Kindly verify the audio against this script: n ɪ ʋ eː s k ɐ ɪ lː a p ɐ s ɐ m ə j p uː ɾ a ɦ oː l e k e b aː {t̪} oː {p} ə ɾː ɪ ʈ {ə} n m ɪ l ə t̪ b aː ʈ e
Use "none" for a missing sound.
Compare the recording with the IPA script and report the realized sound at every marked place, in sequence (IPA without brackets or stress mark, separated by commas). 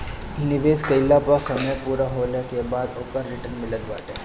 d̪, k, ə